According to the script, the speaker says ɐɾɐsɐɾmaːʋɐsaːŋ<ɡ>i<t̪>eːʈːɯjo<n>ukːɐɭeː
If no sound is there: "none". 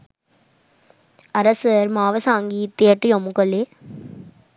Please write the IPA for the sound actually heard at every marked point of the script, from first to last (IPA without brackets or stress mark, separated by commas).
ɡ, t̪, m